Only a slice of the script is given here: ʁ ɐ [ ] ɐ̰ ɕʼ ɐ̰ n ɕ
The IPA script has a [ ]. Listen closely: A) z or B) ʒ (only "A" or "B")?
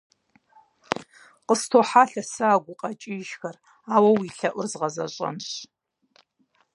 A